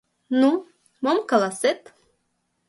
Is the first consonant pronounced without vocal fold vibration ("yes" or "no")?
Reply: no